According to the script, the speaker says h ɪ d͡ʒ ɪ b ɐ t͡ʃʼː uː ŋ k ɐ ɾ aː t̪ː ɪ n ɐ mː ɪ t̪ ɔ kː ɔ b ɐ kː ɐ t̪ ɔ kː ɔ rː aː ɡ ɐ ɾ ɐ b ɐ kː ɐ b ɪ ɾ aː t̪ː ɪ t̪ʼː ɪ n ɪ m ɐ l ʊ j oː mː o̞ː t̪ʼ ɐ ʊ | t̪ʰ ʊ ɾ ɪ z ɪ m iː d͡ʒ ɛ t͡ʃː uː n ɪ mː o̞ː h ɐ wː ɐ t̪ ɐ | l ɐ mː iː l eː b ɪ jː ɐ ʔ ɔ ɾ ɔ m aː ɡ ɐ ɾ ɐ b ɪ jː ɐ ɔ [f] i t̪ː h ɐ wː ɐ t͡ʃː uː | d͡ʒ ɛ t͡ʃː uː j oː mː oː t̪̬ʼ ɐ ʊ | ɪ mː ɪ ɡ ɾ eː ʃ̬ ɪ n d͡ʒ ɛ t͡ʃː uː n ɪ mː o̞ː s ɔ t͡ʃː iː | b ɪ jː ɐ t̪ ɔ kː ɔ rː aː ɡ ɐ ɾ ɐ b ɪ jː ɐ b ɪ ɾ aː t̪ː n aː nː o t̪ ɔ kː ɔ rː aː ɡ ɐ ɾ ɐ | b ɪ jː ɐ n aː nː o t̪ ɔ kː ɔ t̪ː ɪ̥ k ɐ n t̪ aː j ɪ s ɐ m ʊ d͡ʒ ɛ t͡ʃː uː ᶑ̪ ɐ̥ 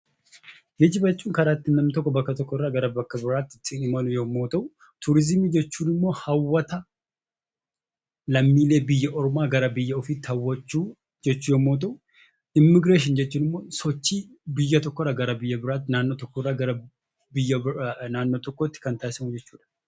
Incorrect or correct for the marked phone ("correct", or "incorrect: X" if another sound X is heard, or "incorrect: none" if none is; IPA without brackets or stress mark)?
correct